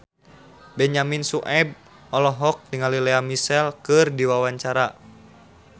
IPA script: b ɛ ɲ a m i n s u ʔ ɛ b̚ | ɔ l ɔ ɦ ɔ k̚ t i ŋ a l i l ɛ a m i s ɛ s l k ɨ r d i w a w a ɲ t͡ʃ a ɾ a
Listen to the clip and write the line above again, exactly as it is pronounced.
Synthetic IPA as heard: b ɛ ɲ a m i n s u ʔ ɛ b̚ | ɔ l ɔ ɦ ɔ k̚ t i ŋ a l i l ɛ a m i s ɛ l k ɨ r d i w a w a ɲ t͡ʃ a ɾ a